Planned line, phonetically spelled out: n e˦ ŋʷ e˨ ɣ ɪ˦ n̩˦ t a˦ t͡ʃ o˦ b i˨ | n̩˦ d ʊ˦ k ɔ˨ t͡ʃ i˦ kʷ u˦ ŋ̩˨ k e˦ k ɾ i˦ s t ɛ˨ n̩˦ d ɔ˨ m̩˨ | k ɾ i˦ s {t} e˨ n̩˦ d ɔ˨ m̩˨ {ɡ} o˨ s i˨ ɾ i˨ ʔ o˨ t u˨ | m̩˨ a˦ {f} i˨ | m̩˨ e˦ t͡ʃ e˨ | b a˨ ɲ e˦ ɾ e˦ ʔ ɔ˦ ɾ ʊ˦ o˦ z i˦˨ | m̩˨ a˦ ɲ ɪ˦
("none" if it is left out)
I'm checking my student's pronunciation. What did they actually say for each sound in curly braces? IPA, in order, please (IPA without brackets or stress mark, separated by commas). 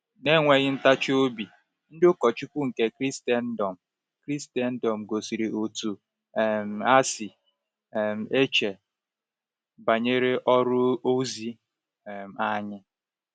t, ɡ, s